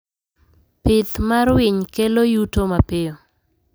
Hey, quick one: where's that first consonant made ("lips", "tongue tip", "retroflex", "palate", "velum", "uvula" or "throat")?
lips